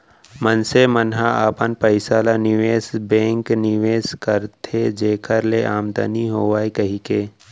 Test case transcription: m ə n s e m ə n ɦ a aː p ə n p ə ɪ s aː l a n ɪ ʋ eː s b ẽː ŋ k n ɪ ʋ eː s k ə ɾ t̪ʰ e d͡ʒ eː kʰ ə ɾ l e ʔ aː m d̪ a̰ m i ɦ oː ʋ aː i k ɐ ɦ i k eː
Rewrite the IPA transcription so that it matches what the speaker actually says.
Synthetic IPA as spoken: m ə n s e m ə n ɦ a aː p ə n p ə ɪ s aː l a n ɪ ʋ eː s b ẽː ŋ k n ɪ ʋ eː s k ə ɾ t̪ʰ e d͡ʒ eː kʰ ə ɾ l e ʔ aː m d̪ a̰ n i ɦ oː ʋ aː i k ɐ ɦ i k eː